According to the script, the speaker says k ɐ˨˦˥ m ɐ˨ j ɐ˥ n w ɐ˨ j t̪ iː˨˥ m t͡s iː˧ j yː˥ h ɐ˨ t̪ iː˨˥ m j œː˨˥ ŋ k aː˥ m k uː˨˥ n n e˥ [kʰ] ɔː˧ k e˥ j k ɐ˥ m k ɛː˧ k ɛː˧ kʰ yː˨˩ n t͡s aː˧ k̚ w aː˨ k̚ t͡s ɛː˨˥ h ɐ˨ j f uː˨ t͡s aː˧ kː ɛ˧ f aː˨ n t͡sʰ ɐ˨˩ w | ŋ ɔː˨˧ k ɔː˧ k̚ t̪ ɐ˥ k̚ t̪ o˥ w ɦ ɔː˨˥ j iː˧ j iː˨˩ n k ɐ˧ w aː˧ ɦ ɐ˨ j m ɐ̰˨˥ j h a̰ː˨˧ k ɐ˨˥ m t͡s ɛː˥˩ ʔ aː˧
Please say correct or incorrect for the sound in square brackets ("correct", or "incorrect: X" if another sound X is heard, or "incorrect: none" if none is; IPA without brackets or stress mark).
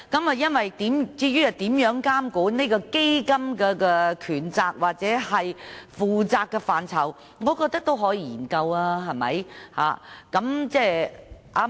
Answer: incorrect: k